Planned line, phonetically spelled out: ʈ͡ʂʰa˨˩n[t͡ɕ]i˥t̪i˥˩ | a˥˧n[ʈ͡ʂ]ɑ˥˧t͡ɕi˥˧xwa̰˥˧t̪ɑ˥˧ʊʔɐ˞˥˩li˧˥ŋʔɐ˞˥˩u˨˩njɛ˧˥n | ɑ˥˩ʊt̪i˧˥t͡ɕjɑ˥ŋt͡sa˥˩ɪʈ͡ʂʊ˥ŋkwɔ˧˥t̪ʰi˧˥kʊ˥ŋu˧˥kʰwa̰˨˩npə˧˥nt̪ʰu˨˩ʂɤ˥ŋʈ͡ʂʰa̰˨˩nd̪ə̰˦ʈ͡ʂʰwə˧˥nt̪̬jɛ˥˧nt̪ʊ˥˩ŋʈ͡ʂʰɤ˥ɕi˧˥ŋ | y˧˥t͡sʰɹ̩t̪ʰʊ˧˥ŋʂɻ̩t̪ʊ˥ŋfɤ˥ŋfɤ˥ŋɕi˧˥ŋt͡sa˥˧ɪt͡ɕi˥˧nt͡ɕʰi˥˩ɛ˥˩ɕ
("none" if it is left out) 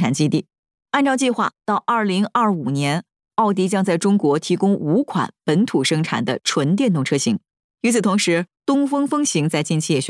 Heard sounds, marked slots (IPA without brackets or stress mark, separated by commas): t͡ɕ, ʈ͡ʂ